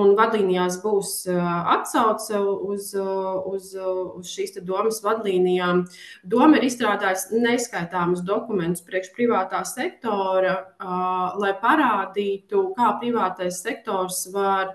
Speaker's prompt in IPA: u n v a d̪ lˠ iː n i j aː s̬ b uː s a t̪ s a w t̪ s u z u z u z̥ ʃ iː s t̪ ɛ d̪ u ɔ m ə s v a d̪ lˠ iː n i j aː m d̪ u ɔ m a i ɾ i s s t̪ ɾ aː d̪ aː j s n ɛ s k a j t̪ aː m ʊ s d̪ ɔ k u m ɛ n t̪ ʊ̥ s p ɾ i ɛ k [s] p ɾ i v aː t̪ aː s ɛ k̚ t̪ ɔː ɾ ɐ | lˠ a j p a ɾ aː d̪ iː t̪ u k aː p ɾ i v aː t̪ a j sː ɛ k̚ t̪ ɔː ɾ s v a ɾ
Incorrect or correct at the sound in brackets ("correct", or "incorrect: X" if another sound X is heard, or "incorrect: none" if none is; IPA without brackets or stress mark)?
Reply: incorrect: ʃ